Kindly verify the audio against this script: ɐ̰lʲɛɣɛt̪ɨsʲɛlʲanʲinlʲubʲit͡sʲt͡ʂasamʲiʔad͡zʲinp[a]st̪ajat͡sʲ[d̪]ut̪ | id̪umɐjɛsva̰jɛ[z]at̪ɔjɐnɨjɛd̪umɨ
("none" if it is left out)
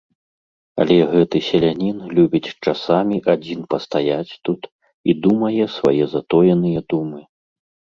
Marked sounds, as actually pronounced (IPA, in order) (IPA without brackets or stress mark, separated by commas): ɐ, t̪, z